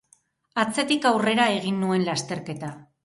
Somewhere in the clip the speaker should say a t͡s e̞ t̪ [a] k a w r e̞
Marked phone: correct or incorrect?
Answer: incorrect